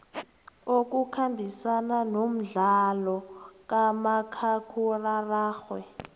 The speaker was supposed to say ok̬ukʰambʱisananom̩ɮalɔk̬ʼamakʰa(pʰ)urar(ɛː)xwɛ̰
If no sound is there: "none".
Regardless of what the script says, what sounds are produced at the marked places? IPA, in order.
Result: kʰ, aː

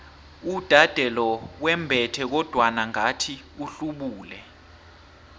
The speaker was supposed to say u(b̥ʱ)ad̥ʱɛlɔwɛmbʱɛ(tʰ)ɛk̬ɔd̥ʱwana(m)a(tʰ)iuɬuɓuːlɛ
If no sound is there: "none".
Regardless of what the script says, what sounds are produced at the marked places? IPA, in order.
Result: d̥ʱ, tʰ, ŋ, tʰ

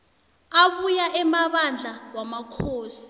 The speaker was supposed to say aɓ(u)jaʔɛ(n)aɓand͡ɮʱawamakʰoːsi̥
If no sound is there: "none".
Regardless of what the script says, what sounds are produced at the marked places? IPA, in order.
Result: u, m

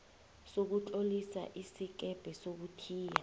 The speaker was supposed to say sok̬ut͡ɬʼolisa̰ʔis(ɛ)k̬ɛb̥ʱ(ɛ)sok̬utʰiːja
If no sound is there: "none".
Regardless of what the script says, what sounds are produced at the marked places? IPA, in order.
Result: i, ɛ

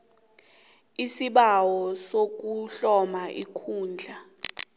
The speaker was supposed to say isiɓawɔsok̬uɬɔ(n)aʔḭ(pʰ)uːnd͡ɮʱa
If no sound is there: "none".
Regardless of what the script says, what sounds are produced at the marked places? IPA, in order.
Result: m, kʰ

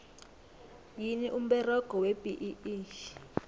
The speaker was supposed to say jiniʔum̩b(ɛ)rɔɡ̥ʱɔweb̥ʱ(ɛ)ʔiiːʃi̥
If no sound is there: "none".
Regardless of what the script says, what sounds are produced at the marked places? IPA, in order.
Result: ɛ, i

